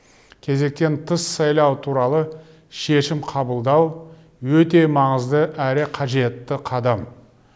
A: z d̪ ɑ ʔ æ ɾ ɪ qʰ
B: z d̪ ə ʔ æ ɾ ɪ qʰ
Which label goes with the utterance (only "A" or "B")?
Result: B